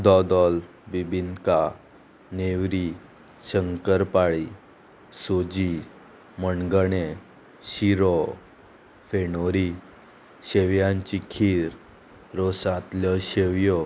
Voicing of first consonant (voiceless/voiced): voiced